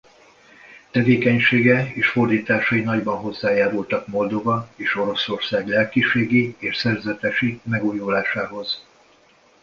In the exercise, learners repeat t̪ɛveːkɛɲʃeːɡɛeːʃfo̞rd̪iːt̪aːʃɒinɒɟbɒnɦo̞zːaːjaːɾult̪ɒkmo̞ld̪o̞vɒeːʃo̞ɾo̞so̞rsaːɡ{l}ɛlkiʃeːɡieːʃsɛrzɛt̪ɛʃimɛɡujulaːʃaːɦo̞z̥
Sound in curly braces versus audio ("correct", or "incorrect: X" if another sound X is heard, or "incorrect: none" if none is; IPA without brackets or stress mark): correct